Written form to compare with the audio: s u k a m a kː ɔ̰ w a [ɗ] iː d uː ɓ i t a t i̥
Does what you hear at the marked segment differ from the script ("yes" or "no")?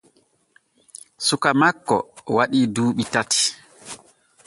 no